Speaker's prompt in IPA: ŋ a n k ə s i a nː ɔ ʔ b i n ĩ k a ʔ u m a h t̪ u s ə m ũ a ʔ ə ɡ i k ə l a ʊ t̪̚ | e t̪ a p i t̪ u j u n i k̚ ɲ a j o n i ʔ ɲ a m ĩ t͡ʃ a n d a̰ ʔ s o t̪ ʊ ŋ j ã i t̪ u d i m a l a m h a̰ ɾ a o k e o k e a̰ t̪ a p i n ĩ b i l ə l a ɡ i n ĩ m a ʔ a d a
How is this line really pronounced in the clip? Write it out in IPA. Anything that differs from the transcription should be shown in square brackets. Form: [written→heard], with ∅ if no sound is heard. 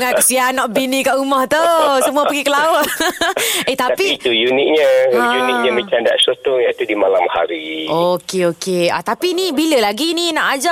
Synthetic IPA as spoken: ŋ a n k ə s i a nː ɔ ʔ b i n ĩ k a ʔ u m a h t̪ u s ə m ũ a [ʔ→p] ə ɡ i k ə l a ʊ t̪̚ | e t̪ a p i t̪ u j u n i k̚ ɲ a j [o→u] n i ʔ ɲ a m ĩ t͡ʃ a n d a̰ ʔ s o t̪ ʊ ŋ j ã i t̪ u d i m a l a m h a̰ ɾ [a→i] o k e o k e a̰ t̪ a p i n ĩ b i l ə l a ɡ i n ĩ [m→n] a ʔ a [d→d͡ʒ] a